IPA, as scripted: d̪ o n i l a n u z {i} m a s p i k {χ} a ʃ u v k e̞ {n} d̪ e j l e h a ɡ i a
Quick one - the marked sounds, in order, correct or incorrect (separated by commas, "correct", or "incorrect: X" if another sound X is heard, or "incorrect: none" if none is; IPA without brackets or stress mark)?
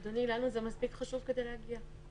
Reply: incorrect: e, correct, incorrect: none